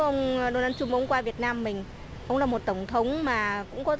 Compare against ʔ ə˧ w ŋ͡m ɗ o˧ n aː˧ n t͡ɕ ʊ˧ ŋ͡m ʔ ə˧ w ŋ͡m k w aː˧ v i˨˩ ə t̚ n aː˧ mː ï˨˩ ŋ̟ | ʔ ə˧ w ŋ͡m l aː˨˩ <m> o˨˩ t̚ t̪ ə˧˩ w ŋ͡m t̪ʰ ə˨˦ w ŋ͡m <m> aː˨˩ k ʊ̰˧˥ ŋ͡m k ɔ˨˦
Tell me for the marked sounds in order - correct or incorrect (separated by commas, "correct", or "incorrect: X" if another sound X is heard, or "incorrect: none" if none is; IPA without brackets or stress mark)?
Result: correct, correct